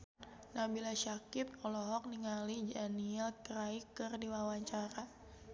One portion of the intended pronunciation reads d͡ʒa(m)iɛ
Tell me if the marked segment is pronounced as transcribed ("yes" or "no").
no